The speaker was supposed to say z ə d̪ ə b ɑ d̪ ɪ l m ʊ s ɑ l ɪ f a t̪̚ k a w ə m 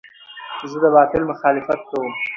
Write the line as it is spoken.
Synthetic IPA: z ə d̪ ə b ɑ t̪ ɪ l m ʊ x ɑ l ɪ f a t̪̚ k a w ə m